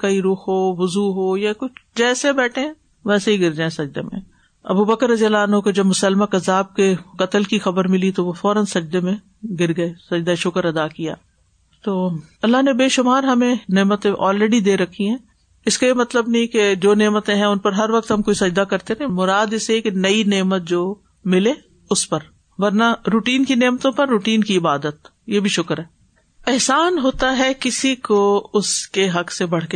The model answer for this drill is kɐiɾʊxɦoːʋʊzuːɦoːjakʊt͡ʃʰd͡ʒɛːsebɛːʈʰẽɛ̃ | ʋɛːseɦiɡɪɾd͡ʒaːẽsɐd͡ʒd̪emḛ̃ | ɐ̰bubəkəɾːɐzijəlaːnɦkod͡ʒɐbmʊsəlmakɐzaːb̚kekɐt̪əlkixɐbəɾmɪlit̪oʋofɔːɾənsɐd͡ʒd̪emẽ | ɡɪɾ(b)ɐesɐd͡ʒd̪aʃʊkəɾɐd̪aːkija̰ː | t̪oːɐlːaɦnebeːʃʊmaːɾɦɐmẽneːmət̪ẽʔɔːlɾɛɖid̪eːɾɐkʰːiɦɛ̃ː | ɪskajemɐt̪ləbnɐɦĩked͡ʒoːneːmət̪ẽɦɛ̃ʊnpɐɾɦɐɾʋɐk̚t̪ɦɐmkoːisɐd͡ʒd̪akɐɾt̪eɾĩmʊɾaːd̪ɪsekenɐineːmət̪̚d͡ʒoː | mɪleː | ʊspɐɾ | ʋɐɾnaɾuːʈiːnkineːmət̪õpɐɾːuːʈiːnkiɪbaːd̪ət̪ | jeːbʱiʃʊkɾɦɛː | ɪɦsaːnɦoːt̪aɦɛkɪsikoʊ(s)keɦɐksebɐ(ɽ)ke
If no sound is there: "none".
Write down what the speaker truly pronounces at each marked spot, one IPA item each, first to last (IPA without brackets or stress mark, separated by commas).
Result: ɡ, s, ɽ